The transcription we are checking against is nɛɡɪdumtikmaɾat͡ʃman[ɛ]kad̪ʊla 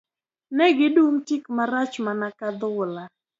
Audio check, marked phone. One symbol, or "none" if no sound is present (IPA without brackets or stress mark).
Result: a